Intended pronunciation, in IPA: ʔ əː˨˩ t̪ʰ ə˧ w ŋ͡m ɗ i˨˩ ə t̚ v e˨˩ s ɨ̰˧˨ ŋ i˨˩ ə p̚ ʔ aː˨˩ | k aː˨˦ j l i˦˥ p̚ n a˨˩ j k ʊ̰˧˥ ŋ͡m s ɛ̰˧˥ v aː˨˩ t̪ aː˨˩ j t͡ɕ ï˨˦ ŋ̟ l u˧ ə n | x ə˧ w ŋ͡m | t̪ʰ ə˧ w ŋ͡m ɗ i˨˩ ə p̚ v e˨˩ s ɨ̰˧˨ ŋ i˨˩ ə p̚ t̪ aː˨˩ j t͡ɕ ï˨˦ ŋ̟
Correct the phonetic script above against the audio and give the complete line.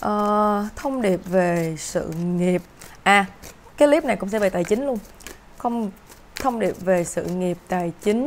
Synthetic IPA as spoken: ʔ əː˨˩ t̪ʰ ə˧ w ŋ͡m ɗ i˨˩ ə p̚ v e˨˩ s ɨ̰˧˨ ŋ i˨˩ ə p̚ ʔ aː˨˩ | k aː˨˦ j l i˦˥ p̚ n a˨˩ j k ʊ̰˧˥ ŋ͡m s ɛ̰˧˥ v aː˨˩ t̪ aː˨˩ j t͡ɕ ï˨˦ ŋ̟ l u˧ ə n | x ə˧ w ŋ͡m | t̪ʰ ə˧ w ŋ͡m ɗ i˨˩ ə p̚ v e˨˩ s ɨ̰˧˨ ŋ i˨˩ ə p̚ t̪ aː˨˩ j t͡ɕ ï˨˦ ŋ̟

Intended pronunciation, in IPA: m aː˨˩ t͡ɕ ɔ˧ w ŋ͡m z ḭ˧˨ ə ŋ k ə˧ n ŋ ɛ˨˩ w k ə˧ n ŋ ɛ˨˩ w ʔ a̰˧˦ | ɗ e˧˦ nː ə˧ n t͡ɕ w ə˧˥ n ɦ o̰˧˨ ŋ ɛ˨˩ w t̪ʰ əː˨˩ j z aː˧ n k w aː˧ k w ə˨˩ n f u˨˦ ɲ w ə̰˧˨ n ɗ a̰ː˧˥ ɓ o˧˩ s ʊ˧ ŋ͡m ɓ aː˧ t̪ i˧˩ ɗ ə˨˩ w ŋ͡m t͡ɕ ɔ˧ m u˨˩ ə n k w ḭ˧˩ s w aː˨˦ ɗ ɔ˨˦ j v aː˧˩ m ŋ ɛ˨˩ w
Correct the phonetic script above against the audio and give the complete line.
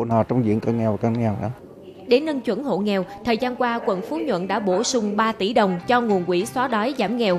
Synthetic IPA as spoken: n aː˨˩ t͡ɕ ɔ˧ w ŋ͡m z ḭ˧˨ ə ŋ k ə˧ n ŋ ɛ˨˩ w k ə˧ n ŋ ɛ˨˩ w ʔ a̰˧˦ | ɗ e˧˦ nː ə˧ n t͡ɕ w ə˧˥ n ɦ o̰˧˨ ŋ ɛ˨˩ w t̪ʰ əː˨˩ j z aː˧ n k w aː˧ k w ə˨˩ n f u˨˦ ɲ w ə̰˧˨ n ɗ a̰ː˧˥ ɓ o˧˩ s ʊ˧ ŋ͡m ɓ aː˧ t̪ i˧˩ ɗ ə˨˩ w ŋ͡m t͡ɕ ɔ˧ ŋ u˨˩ ə n k w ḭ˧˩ s w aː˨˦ ɗ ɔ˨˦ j z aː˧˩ m ŋ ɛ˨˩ w

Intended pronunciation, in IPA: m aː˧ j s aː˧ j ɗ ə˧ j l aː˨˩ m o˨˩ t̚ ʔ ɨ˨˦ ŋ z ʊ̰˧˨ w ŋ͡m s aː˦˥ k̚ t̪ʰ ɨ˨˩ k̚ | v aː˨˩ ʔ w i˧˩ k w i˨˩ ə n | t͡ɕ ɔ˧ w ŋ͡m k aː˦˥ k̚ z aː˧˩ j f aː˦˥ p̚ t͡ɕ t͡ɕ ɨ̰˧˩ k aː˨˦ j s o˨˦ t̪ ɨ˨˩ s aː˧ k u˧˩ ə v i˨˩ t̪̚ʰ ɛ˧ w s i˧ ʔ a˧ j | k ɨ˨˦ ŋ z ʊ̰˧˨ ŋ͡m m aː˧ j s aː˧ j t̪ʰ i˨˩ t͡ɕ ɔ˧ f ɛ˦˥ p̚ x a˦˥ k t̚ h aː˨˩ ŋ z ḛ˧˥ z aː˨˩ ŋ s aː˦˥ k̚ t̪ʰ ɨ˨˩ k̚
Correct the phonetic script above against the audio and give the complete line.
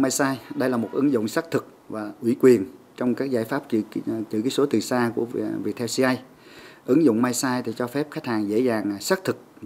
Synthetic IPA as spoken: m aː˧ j s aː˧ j ɗ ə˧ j l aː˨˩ m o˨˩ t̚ ʔ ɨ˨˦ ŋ z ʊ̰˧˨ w ŋ͡m s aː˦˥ k̚ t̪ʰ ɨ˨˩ k̚ | v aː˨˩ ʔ w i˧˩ k w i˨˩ ə n | t͡ɕ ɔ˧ w ŋ͡m k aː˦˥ k̚ z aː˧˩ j f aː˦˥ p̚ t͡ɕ t͡ɕ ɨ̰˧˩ k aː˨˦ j s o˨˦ t̪ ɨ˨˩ s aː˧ k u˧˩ ə v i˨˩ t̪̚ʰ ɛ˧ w s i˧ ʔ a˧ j | ʔ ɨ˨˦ ŋ z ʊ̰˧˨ ŋ͡m m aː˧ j s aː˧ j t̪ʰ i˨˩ t͡ɕ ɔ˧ f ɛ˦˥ p̚ x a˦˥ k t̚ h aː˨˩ ŋ z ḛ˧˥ z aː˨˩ ŋ s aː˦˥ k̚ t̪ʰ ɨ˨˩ k̚

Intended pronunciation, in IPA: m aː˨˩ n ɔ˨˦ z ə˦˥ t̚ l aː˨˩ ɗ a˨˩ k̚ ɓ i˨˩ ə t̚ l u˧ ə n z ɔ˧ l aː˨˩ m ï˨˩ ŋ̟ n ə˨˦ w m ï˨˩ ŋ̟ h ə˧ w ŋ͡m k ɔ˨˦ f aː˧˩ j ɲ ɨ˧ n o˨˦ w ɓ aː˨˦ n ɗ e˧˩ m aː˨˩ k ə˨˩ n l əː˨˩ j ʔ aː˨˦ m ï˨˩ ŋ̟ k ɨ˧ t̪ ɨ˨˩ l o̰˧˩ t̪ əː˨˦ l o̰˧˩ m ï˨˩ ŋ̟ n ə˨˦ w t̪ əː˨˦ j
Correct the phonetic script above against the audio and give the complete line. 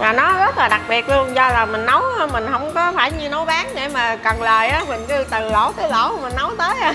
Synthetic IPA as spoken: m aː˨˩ n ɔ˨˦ z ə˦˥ t̚ l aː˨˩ ɗ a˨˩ k̚ ɓ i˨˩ ə t̚ l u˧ ə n z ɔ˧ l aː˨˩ m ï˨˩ ŋ̟ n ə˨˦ w m ï˨˩ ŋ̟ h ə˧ w ŋ͡m k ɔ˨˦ f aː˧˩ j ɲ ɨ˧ n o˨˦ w ɓ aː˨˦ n ɗ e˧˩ m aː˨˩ k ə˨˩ n l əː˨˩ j ʔ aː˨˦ m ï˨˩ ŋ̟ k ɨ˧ t̪ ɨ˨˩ l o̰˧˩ t̪ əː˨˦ l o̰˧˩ m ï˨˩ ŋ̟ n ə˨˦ w t̪ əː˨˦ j

